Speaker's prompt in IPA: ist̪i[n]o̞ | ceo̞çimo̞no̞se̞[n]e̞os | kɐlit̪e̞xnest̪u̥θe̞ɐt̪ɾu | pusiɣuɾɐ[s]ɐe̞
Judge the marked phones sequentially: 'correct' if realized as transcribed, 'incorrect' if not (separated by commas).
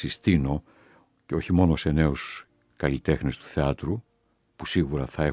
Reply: correct, correct, incorrect